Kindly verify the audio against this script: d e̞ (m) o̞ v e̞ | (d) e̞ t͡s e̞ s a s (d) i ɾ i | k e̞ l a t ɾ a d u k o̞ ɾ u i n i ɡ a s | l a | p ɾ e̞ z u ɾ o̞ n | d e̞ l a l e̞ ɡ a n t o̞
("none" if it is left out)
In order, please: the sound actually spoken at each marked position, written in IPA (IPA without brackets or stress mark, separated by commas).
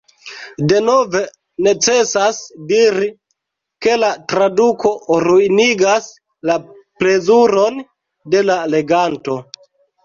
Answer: n, n, d